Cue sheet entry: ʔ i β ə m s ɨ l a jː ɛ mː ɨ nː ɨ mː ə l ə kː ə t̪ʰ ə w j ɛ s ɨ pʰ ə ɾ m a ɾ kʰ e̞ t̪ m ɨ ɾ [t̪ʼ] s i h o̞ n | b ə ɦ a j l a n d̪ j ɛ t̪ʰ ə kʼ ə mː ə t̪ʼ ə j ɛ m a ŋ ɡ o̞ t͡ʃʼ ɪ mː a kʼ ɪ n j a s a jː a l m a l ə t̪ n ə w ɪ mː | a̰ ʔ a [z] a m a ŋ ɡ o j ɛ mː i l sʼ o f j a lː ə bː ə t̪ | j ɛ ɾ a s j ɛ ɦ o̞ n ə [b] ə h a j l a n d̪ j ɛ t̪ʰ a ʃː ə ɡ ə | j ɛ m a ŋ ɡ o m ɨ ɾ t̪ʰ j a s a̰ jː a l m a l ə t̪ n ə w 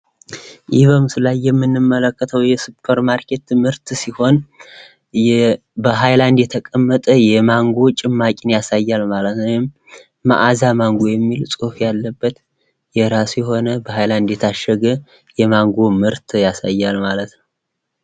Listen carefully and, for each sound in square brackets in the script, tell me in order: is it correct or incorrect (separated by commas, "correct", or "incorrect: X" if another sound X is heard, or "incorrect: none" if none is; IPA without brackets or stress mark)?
incorrect: t̪, correct, correct